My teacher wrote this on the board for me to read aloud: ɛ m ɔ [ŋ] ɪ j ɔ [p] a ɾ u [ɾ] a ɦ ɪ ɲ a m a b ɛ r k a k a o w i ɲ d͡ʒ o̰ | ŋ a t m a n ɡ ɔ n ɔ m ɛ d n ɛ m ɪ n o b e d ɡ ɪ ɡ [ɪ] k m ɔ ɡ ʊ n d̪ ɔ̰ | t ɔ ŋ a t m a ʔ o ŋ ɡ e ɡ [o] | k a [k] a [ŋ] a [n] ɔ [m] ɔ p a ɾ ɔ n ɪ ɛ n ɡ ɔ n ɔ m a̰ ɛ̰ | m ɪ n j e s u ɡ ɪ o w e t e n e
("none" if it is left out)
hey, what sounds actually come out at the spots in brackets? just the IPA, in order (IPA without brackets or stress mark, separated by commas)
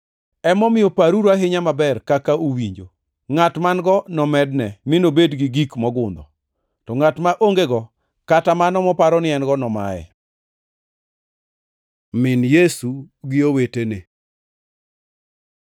m, p, ɾ, i, ɔ, t, m, n, m